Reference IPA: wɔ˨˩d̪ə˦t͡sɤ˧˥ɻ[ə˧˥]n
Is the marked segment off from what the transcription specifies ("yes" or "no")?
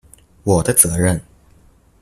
yes